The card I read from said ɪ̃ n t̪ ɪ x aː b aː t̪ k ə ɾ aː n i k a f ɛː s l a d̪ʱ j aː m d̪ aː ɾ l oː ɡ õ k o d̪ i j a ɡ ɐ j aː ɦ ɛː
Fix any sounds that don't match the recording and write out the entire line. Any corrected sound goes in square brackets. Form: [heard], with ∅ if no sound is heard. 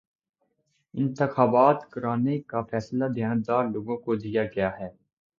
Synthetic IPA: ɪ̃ n t̪ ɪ x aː b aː t̪ k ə ɾ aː n [e] k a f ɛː s l a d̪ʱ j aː [n] d̪ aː ɾ l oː ɡ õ k o d̪ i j a ɡ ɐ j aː ɦ ɛː